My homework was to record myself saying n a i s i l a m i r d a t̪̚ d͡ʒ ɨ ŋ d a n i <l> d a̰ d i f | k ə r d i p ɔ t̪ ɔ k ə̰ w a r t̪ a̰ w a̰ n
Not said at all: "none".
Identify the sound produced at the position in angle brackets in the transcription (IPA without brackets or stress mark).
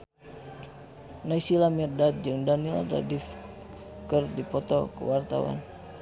l